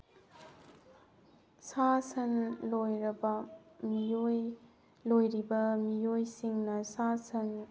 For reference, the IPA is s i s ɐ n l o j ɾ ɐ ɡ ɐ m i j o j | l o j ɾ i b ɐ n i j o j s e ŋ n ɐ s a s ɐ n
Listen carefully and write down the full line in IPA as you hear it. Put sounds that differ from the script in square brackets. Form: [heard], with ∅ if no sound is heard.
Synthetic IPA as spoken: s [a] s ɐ n l o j ɾ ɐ [b] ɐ m i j o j | l o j ɾ i b ɐ [m] i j o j s [i] ŋ n ɐ s a s ɐ n

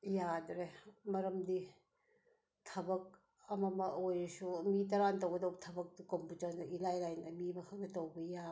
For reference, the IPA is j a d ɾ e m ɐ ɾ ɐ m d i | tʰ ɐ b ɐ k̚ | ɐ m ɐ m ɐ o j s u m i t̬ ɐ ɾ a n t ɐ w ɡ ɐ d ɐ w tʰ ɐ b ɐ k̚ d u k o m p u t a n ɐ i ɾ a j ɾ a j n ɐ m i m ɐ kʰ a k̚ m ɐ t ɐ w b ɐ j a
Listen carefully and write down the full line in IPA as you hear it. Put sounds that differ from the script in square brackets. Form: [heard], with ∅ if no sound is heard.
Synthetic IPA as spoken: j a d ɾ e m ɐ ɾ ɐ m d i | tʰ ɐ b ɐ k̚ | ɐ m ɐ m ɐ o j s u m i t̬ ɐ ɾ a n t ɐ w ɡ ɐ d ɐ w tʰ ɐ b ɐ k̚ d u k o m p u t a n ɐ i [l] a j [l] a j n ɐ m i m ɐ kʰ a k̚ [n] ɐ t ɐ w b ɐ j a

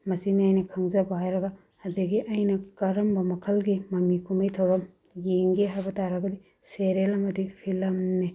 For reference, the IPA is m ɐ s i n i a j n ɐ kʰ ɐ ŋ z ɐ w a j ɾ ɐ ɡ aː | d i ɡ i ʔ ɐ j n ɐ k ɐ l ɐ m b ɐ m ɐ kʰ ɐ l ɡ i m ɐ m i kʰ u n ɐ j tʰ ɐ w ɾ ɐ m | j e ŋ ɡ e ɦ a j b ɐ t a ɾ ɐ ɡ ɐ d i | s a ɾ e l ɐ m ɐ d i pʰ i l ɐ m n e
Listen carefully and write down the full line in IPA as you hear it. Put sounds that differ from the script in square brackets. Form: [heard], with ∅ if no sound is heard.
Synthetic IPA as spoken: m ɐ s i n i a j n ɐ kʰ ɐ ŋ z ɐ [b] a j ɾ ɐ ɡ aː | d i ɡ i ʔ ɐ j n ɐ k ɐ [ɾ] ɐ m b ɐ m ɐ kʰ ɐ l ɡ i m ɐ m i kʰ u [m] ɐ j tʰ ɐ w ɾ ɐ m | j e ŋ ɡ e ɦ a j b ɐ t a ɾ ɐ ɡ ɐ d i | s [e] ɾ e l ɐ m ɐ d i pʰ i l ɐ m n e

